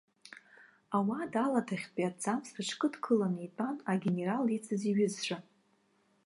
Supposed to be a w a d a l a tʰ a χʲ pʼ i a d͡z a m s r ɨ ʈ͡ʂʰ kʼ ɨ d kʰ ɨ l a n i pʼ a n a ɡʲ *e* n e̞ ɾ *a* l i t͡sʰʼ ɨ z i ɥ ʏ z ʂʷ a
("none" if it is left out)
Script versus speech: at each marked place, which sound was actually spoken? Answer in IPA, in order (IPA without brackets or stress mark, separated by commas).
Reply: e, a